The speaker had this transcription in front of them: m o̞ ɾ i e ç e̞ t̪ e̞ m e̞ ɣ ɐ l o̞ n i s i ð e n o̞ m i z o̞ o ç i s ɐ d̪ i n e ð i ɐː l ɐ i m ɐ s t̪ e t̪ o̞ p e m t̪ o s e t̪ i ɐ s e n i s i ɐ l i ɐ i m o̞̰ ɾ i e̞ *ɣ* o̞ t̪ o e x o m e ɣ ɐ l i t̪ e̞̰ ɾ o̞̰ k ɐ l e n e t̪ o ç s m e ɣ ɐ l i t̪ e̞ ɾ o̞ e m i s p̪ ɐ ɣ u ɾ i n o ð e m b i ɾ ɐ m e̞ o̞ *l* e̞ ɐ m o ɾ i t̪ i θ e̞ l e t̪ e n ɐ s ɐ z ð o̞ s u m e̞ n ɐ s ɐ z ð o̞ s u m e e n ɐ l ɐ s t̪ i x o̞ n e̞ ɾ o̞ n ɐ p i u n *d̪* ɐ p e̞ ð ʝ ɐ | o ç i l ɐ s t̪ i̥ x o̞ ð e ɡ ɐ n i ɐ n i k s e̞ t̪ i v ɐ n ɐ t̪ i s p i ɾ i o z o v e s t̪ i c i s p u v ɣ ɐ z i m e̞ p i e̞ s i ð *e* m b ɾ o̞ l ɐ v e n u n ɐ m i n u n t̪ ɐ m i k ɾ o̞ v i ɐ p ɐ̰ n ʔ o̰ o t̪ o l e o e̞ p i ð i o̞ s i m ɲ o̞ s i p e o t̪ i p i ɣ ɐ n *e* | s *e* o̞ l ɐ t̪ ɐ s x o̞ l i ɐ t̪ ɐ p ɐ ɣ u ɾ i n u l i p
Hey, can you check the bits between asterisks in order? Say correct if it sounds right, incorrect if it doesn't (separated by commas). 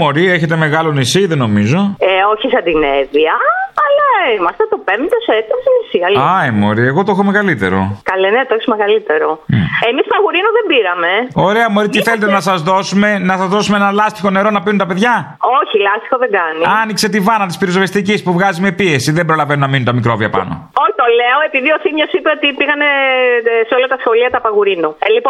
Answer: correct, incorrect, incorrect, correct, correct, correct